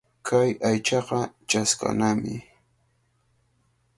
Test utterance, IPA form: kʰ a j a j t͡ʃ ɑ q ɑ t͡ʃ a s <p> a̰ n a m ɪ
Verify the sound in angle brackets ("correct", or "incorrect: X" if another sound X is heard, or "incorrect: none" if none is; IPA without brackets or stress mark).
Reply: incorrect: k